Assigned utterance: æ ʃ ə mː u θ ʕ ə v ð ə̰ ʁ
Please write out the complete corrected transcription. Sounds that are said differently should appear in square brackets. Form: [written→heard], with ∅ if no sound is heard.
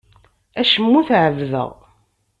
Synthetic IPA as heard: æ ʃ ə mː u θ ʕ ə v ð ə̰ ʁ